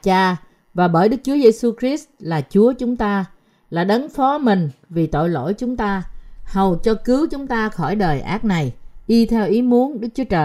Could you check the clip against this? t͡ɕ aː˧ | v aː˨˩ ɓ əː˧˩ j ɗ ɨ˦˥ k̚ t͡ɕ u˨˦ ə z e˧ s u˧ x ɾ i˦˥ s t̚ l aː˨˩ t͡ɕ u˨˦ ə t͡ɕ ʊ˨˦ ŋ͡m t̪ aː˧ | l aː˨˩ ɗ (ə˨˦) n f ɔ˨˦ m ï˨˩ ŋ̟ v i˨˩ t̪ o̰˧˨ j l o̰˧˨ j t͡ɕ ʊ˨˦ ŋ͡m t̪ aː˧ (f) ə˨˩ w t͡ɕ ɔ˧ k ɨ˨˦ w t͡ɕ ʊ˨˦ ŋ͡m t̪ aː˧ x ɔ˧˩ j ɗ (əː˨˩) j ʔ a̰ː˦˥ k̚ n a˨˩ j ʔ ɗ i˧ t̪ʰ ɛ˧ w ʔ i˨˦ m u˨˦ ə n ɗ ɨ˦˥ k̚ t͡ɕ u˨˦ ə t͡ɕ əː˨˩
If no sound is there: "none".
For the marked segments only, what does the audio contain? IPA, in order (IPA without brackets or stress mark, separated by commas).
ə˨˦, h, əː˨˩